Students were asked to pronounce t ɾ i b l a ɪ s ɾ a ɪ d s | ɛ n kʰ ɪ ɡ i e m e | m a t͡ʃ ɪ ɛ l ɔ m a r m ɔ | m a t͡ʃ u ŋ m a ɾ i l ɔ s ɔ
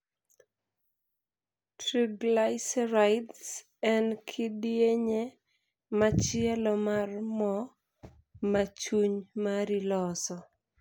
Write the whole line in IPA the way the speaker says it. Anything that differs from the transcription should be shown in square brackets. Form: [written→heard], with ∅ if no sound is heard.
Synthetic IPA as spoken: t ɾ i b l a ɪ s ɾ a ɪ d s | ɛ n kʰ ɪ [ɡ→d] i e [m→ɲ] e | m a t͡ʃ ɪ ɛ l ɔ m a r m ɔ | m a t͡ʃ u [ŋ→ɲ] m a ɾ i l ɔ s ɔ